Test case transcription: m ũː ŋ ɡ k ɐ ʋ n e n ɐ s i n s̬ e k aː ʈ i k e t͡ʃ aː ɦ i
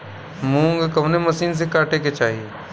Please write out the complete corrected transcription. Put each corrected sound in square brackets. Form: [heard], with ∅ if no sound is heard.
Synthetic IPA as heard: m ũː ŋ ɡ k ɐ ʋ n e [m] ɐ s [iː] n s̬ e k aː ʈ [e] k e t͡ʃ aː ɦ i